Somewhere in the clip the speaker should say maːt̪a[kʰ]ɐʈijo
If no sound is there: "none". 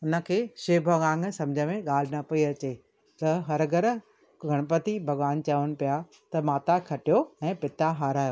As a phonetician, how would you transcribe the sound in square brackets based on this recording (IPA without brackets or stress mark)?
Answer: kʰ